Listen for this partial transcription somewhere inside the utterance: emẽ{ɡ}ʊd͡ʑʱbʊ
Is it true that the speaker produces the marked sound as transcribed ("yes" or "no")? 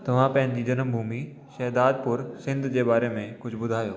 no